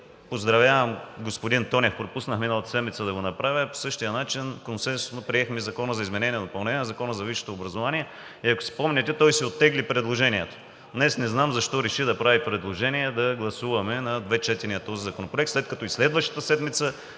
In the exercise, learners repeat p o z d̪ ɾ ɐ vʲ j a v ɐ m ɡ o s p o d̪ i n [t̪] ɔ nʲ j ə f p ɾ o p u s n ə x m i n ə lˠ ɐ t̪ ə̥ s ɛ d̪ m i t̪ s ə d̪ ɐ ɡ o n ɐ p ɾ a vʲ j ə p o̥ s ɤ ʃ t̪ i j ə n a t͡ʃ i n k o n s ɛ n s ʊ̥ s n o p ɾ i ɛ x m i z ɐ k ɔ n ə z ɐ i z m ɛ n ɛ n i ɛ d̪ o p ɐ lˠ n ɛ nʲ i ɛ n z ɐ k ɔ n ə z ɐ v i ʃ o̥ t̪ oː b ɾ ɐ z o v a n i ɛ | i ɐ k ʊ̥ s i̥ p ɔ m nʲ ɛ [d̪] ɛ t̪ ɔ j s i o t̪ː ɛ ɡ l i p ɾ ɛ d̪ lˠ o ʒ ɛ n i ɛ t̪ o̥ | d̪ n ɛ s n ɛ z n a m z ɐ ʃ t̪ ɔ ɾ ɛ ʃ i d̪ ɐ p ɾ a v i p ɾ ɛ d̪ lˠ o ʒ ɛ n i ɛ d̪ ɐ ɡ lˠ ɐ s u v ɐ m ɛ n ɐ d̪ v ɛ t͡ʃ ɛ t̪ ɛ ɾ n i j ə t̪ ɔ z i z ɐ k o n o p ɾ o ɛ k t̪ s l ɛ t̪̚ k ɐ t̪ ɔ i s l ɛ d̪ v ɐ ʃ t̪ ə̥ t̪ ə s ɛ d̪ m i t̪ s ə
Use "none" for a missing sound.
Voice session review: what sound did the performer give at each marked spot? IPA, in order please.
t̪, t̪

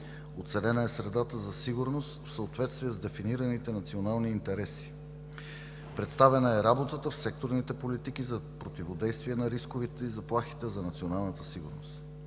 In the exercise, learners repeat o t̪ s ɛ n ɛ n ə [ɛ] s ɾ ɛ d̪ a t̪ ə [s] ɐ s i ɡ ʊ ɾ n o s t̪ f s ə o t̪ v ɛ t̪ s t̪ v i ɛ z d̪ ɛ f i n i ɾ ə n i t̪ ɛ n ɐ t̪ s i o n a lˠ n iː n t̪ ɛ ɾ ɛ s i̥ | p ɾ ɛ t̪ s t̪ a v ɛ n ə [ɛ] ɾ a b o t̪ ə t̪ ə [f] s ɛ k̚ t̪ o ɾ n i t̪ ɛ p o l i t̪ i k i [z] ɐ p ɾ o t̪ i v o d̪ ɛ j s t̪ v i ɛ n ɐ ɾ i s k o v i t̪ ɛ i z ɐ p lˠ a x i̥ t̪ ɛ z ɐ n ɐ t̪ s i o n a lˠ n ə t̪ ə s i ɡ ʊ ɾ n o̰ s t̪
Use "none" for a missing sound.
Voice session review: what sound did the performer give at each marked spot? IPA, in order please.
ɛ, z, ɛ, f, z

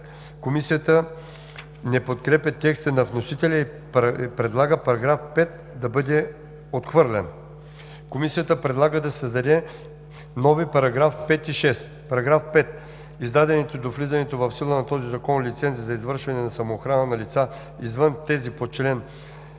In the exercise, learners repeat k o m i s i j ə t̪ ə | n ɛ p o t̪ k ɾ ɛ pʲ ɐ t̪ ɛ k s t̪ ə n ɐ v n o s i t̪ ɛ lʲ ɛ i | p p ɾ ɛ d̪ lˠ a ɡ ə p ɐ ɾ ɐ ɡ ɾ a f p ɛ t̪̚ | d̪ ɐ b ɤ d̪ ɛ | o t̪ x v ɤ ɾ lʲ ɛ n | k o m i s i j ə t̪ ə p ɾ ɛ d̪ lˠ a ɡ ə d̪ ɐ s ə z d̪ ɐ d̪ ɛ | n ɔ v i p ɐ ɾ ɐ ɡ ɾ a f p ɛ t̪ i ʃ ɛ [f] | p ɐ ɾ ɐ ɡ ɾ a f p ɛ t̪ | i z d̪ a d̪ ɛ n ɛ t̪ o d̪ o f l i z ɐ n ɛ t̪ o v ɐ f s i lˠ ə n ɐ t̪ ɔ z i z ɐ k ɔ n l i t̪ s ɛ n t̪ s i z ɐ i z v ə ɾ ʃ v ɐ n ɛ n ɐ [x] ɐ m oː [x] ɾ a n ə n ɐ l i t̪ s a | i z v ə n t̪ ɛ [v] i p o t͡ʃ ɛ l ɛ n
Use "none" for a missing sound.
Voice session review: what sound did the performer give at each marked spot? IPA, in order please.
s, s, x, z

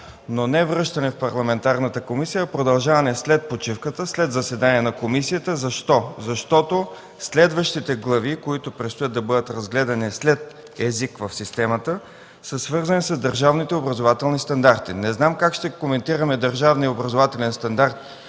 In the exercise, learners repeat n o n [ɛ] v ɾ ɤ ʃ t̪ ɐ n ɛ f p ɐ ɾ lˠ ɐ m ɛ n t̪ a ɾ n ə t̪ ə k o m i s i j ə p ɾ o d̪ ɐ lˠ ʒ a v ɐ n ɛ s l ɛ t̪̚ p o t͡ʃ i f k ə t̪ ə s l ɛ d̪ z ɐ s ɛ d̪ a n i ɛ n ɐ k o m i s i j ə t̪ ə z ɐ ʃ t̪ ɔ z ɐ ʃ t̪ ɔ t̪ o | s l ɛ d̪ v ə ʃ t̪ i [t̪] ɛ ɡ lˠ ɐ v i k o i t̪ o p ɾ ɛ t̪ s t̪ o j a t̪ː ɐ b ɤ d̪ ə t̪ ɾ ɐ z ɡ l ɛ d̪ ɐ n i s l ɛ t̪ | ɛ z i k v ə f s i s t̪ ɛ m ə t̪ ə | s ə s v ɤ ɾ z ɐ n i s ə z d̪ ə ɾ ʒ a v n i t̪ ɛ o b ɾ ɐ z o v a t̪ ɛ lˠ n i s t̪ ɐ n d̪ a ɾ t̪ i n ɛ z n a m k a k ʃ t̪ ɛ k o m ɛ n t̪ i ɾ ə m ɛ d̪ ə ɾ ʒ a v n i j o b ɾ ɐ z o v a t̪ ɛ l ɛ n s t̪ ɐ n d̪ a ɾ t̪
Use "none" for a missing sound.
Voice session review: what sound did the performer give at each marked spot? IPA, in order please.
ɛ, t̪

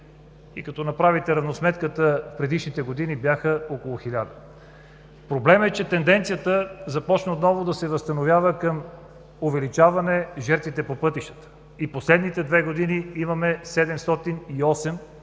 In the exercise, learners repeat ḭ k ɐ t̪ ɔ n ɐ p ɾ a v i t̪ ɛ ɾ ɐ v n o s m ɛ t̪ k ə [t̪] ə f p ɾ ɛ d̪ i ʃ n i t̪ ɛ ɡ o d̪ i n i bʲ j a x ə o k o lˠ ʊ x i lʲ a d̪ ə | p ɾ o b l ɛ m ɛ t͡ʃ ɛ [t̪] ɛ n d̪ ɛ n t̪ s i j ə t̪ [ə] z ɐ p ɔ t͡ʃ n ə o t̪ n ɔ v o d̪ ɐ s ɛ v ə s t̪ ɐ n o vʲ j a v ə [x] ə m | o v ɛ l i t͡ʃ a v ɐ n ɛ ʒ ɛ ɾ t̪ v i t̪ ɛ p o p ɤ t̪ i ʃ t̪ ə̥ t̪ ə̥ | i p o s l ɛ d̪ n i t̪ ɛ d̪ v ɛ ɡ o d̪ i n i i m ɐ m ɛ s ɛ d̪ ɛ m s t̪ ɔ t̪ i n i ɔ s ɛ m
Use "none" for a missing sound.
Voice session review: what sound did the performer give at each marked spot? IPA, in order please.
t̪, t̪, ə, k

